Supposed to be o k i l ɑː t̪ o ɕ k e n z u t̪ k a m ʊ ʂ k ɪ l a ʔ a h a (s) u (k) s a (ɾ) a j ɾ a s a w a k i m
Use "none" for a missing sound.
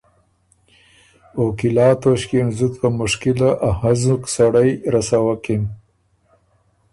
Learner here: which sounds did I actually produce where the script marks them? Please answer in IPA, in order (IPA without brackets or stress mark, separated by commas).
z, k, ɽ